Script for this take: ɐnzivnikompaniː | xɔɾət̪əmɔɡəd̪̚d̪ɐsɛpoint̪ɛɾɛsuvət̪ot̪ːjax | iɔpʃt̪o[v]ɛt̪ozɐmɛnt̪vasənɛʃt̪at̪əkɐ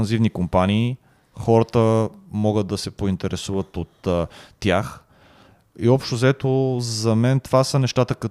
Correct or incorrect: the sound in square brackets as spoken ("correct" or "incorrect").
incorrect